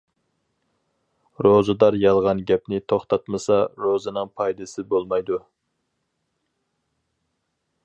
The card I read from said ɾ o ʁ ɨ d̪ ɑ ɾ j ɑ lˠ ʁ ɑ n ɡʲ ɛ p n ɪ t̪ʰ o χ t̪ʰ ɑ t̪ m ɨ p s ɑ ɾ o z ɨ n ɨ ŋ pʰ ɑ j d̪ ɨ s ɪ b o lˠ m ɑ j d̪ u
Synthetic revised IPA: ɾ o z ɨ d̪ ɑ ɾ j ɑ lˠ ʁ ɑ n ɡʲ ɛ p n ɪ t̪ʰ o χ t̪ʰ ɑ t̪ m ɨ s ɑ ɾ o z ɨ n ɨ ŋ pʰ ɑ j d̪ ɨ s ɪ b o lˠ m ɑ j d̪ u